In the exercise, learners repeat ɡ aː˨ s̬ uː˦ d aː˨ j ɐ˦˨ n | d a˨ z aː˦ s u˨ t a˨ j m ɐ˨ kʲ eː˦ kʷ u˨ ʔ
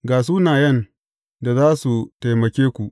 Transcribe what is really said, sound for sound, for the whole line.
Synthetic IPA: ɡ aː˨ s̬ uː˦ n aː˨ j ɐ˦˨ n | d a˨ z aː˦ s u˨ t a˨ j m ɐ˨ kʲ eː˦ kʷ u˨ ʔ